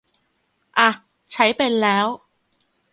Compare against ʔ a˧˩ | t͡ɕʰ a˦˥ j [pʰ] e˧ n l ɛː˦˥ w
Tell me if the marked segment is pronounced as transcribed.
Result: no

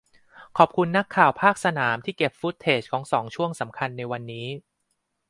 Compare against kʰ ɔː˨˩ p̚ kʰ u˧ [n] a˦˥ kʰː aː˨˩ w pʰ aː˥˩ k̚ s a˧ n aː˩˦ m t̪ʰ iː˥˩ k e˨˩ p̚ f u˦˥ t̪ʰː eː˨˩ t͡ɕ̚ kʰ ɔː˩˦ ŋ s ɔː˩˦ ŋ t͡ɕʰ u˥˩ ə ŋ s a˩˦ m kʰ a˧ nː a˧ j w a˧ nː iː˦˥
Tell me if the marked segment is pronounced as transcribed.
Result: no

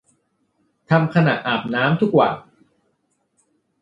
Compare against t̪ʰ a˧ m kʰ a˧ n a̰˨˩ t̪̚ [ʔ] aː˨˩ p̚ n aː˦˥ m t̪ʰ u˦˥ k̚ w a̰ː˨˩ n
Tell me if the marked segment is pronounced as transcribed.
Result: yes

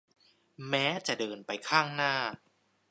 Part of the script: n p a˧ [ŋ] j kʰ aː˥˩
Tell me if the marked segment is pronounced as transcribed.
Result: no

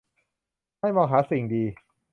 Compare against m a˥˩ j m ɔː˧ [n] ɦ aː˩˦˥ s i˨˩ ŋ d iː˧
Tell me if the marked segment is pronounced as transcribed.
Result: no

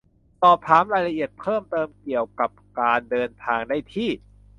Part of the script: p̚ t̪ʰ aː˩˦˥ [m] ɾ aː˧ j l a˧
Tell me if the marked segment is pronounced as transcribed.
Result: yes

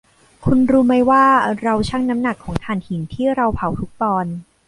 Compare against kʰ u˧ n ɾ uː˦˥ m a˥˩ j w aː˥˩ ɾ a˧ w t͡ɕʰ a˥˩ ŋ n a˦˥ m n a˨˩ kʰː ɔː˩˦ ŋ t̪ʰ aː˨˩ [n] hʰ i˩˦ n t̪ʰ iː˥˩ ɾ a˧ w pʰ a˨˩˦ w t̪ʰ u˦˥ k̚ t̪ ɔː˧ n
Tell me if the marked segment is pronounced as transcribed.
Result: yes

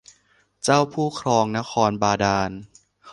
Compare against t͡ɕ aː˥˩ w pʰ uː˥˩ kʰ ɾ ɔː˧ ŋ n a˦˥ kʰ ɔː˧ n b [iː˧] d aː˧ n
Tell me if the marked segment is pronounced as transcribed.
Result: no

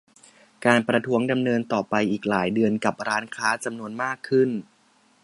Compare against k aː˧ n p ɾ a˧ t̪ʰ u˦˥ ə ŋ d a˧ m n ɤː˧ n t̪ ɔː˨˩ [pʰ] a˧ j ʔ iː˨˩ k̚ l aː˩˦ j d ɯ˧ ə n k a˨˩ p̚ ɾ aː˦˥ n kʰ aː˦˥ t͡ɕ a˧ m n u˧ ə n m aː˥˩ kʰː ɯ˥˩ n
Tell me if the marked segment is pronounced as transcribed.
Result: no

